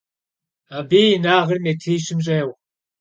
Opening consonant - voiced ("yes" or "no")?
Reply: yes